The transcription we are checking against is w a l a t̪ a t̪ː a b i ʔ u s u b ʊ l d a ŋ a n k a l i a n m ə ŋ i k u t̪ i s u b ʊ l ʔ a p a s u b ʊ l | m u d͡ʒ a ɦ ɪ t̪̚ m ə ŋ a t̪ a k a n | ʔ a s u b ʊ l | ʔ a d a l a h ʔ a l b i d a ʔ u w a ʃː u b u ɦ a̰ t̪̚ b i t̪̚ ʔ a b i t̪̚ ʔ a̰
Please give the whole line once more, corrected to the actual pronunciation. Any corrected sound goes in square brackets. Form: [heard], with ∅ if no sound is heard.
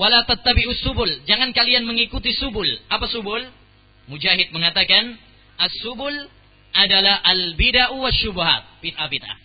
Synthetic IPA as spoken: w a l a t̪ a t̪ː a b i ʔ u s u b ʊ l [d͡ʒ] a ŋ a n k a l i a n m ə ŋ i k u t̪ i s u b ʊ l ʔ a p a s u b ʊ l | m u d͡ʒ a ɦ ɪ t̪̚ m ə ŋ a t̪ a k a n | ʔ a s u b ʊ l | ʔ a d a l a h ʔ a l b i d a ʔ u w a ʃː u b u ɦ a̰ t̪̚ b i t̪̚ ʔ a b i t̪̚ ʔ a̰